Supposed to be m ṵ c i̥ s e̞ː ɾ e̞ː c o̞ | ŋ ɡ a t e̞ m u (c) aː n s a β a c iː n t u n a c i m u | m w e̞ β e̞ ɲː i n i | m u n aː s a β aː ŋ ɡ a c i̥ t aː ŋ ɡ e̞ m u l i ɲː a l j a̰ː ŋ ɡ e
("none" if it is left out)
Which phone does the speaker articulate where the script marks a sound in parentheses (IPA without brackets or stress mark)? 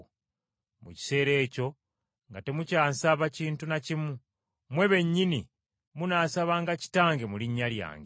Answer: c